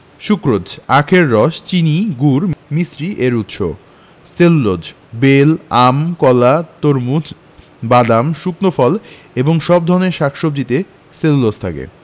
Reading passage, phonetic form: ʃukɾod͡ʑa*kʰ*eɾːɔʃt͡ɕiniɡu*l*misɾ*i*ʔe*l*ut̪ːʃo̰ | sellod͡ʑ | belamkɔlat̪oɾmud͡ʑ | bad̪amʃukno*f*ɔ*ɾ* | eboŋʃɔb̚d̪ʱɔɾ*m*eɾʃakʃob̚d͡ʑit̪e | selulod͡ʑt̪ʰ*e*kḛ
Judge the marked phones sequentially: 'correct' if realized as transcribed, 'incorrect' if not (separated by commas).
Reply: correct, incorrect, correct, incorrect, correct, incorrect, incorrect, incorrect